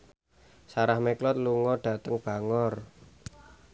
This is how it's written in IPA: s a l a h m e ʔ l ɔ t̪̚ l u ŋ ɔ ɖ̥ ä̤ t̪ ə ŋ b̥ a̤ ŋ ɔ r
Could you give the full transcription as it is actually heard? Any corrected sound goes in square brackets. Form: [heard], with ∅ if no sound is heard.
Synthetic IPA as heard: s a [ɾ] a h m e [k] l ɔ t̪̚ l u ŋ ɔ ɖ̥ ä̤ t̪ ə ŋ b̥ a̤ ŋ ɔ r